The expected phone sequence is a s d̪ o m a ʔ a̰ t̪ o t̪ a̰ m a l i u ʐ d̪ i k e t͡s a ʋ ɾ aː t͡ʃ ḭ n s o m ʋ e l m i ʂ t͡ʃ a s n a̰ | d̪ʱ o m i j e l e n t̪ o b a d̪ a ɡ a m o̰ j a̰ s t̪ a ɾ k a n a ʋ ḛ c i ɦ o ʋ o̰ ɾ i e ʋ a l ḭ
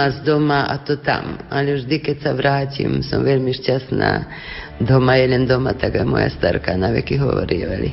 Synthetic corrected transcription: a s d̪ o m a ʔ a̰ t̪ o t̪ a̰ m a l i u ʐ d̪ i k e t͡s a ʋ ɾ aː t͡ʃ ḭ m s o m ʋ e l m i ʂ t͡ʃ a s n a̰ | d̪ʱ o m a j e l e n d̪ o m a t̪ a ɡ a m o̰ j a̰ s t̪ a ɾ k a n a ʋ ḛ k i ɦ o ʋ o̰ ɾ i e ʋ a l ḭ